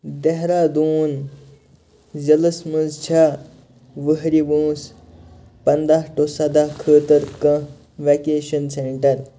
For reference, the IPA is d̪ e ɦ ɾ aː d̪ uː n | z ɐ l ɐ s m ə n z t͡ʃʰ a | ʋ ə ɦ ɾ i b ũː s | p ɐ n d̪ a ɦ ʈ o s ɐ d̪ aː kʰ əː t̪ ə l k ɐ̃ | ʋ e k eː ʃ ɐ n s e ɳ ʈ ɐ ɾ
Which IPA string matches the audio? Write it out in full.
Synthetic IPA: d̪ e ɦ ɾ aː d̪ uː n | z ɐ l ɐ s m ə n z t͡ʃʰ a | ʋ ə ɦ ɾ i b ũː s | p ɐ n d̪ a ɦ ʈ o s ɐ d̪ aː kʰ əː t̪ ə ɾ k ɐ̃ | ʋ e k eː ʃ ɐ n s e ɳ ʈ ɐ ɾ